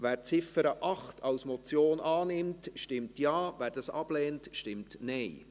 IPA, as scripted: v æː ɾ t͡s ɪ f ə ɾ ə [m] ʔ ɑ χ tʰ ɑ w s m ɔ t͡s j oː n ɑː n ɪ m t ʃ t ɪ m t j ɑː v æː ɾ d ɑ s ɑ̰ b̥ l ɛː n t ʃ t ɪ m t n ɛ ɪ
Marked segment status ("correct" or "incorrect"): incorrect